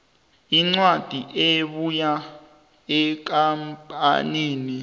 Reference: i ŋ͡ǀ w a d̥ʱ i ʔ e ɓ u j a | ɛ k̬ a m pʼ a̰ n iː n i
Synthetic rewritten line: i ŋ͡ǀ w a d̥ʱ i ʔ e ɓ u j a | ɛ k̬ a m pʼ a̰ n iː n i